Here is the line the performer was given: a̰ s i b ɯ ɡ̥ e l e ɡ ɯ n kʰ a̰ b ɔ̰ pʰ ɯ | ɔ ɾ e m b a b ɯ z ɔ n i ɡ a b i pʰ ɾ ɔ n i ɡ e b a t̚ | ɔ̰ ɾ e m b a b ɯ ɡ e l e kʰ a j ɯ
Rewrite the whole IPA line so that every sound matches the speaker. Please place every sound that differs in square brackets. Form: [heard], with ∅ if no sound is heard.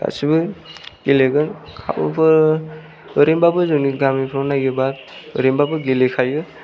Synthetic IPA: a̰ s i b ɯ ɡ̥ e l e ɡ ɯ n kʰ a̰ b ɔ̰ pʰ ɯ | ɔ ɾ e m b a b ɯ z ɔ n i ɡ a [m] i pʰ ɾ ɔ n [a] ɡ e b a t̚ | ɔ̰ ɾ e m b a b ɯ ɡ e l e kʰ a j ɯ